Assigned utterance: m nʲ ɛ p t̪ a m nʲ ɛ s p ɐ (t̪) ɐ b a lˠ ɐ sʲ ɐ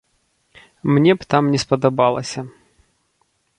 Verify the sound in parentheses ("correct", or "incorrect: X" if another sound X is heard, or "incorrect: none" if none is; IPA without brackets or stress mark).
incorrect: d̪